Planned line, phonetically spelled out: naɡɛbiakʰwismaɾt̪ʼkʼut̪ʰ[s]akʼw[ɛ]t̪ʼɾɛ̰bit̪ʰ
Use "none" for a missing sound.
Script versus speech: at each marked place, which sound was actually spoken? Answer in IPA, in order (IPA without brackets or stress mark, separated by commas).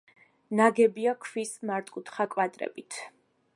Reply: χ, a